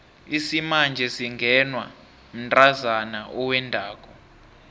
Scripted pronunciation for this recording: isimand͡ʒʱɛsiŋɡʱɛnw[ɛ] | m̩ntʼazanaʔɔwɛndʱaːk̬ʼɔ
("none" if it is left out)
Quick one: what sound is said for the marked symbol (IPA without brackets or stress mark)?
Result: a